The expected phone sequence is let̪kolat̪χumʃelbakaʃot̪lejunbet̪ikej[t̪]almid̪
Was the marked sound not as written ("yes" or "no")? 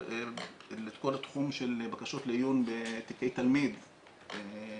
no